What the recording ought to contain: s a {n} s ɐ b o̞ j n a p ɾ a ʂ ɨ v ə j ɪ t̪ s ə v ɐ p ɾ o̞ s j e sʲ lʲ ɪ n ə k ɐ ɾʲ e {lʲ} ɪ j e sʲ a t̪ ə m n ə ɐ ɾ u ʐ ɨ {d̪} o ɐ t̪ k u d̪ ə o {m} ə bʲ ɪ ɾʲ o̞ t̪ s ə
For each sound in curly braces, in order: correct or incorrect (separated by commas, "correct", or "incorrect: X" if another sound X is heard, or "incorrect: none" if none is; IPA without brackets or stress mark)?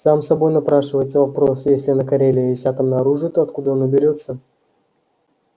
incorrect: m, correct, incorrect: t̪, incorrect: n